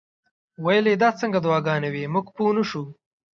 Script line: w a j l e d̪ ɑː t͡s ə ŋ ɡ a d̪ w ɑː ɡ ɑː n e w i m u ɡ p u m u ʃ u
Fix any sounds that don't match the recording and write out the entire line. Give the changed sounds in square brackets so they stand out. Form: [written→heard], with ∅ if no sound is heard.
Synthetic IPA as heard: w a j l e d̪ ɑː t͡s ə ŋ ɡ a d̪ w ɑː ɡ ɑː n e w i m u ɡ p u [m→n] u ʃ u